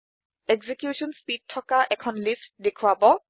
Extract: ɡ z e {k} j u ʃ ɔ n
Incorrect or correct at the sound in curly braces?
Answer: correct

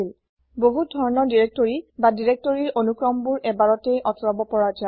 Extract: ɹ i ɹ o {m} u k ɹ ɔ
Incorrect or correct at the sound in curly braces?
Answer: incorrect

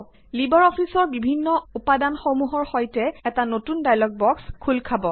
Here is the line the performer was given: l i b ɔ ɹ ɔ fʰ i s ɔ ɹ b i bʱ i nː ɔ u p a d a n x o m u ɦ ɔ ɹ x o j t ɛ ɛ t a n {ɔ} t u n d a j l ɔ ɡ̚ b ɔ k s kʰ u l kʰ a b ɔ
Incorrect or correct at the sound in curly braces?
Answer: incorrect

